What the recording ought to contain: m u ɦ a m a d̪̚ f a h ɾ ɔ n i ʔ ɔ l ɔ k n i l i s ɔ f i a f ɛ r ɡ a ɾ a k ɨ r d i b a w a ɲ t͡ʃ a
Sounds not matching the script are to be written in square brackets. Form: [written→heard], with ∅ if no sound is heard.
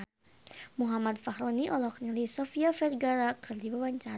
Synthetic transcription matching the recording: m u ɦ a m a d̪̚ f a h ɾ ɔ n i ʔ ɔ l ɔ k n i l i s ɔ f i a f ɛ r ɡ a ɾ a k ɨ r d i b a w a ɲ t͡ʃ a

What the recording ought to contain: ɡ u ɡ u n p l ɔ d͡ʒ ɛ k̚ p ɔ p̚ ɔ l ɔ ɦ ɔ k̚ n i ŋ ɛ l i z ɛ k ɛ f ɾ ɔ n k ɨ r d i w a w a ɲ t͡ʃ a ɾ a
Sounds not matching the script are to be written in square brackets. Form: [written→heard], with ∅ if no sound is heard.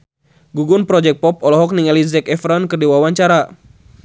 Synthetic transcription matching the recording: ɡ u ɡ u n p [l→ɾ] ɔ d͡ʒ ɛ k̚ p ɔ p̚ ɔ l ɔ ɦ ɔ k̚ n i ŋ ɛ l i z ɛ k ɛ f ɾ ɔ n k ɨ r d i w a w a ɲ t͡ʃ a ɾ a

